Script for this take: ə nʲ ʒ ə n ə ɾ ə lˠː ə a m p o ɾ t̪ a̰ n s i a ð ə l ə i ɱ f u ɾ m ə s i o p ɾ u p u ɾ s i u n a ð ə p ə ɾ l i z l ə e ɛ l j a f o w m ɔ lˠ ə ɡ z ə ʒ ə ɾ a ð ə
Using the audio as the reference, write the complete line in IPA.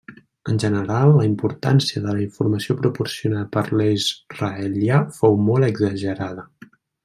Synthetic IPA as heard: ə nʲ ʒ ə n ə ɾ a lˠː ə i m p u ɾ t̪ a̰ n s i ə ð ə l ə i ɱ f u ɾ m ə s i o p ɾ u p u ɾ s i u n a ð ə p ə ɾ l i z r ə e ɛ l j a f o w m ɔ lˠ ə ɡ z ə ʒ ə ɾ a ð ə